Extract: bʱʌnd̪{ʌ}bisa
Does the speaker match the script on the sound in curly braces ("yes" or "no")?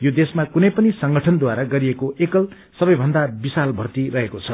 no